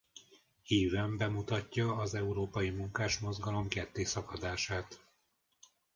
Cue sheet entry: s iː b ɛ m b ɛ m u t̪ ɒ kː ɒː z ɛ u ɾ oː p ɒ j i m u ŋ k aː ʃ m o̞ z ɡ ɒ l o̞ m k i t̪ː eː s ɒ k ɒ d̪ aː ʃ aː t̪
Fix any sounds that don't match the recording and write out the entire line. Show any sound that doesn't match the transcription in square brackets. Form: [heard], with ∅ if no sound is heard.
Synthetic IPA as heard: [h] iː [v] ɛ m b ɛ m u t̪ ɒ [cː] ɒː z ɛ u ɾ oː p ɒ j i m u ŋ k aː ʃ m o̞ z ɡ ɒ l o̞ m k [ɛ] t̪ː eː s ɒ k ɒ d̪ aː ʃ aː t̪

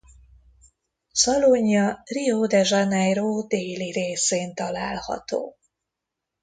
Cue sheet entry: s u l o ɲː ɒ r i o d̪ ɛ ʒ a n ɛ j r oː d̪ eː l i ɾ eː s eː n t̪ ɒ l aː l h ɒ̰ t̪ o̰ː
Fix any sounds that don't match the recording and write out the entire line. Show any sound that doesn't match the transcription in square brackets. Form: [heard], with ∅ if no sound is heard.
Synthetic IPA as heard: s [ɒ] l o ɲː ɒ r i o d̪ ɛ ʒ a n ɛ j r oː d̪ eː l i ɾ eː s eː n t̪ ɒ l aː l h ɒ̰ t̪ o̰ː

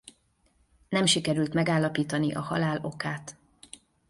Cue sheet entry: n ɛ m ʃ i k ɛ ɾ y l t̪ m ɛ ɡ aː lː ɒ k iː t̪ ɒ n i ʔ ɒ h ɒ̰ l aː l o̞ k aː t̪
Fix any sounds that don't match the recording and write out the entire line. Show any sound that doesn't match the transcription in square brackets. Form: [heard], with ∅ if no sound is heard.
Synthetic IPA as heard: n ɛ m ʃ i k ɛ ɾ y l t̪ m ɛ ɡ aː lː ɒ [p] iː t̪ ɒ n i ʔ ɒ h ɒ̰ l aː l o̞ k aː t̪

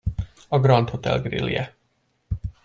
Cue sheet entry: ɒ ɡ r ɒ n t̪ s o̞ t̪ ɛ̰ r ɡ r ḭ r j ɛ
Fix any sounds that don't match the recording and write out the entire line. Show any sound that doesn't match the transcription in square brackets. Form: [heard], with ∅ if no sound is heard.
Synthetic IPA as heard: ɒ ɡ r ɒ n t̪ [h] o̞ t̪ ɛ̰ [l] ɡ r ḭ [l] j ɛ

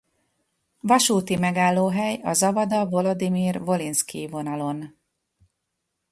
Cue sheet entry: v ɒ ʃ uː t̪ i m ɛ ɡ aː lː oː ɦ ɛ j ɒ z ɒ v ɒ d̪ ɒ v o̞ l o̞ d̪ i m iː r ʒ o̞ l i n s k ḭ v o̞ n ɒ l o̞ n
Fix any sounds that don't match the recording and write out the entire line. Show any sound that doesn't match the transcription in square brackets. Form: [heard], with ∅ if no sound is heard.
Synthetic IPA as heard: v ɒ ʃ uː t̪ i m ɛ ɡ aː lː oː ɦ ɛ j ɒ z ɒ v ɒ d̪ ɒ v o̞ l o̞ d̪ i m iː r [v] o̞ l i n s k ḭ v o̞ n ɒ l o̞ n

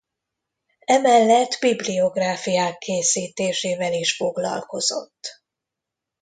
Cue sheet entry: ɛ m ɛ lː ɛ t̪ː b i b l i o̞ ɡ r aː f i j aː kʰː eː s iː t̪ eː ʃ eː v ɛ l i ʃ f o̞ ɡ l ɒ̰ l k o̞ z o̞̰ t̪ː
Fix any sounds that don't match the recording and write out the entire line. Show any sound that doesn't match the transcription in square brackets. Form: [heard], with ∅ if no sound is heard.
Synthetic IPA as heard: ɛ m ɛ lː ɛ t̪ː b i b l i o̞ ɡ r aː f i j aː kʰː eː s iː t̪ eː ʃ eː v ɛ l i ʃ f o̞ ɡ l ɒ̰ l k o̞ z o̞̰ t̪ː

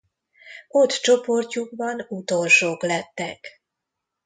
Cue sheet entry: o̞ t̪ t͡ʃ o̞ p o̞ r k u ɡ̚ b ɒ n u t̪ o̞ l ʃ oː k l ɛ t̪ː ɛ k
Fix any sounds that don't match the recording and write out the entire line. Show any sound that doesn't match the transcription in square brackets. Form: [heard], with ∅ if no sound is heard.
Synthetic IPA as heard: o̞ t̪ t͡ʃ o̞ p o̞ r [c] u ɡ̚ b ɒ n u t̪ o̞ l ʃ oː k l ɛ t̪ː ɛ k

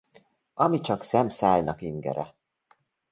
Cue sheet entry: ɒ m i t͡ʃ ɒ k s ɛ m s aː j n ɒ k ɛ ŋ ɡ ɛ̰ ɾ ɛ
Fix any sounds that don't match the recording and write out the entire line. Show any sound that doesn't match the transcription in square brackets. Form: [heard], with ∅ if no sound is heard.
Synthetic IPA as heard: ɒ m i t͡ʃ ɒ k s ɛ m s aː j n ɒ k [i] ŋ ɡ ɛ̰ ɾ ɛ

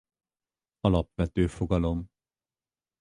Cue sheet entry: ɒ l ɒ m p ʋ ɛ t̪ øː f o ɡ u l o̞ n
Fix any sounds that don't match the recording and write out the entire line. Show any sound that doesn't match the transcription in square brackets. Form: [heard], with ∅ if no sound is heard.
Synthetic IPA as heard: ɒ l ɒ [∅] p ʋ ɛ t̪ øː f o ɡ [ɒ] l o̞ [m]

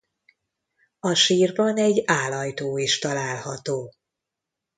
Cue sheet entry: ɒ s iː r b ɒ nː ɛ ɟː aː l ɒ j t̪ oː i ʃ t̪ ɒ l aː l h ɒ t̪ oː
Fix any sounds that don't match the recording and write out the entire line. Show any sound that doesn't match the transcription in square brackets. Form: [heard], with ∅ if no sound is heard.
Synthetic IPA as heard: ɒ [ʃ] iː r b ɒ [n] ɛ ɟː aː l ɒ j t̪ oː i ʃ t̪ ɒ l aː l h ɒ t̪ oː

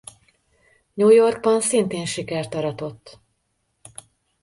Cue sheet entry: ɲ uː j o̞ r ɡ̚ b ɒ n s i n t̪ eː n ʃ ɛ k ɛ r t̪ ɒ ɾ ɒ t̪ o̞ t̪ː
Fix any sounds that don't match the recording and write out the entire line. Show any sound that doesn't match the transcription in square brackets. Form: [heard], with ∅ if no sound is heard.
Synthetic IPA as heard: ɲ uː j o̞ r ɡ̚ b ɒ n s i n t̪ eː n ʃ [i] k ɛ r t̪ ɒ ɾ ɒ t̪ o̞ t̪ː

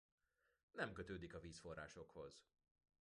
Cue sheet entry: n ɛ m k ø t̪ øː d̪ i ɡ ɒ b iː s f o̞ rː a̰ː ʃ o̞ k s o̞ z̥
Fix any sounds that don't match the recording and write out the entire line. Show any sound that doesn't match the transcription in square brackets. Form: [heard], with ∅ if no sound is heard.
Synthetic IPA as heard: n ɛ m k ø t̪ øː d̪ i [k] ɒ [v] iː s f o̞ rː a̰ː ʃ o̞ k [h] o̞ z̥

